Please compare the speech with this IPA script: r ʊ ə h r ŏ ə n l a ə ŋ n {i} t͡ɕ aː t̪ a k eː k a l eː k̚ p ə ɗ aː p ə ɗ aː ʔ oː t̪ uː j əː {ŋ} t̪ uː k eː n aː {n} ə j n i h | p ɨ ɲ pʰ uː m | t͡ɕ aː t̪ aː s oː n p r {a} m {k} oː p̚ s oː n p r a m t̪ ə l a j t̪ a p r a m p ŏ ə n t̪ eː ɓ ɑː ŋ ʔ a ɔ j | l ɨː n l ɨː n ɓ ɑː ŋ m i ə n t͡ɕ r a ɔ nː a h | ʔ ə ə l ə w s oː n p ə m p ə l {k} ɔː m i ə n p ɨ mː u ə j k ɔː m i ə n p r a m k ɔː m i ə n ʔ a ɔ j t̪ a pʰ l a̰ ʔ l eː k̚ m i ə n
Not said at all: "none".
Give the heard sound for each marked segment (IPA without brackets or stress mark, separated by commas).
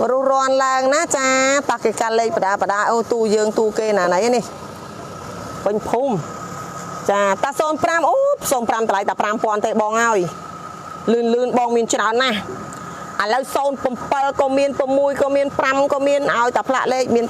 a, ŋ, n, a, ʔ, k